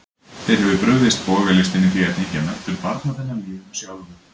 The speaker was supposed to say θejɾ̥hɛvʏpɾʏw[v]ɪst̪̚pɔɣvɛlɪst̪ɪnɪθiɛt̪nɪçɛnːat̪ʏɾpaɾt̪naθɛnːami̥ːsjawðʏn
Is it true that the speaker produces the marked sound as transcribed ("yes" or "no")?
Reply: no